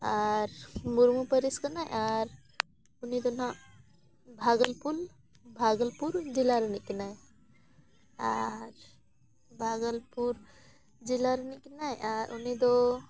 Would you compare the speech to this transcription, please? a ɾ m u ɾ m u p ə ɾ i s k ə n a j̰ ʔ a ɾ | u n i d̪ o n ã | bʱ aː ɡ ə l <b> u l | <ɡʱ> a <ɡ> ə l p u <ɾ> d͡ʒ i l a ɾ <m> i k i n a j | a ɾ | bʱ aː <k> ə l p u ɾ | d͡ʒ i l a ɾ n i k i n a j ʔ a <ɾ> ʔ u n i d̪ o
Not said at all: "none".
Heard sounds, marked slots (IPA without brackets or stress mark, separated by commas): p, bʱ, ɡ, ɾ, n, ɡ, ɾ